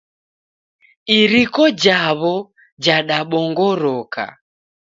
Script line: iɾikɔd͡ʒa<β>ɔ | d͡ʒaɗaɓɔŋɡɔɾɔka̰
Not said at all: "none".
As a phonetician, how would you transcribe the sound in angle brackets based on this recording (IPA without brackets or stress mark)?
β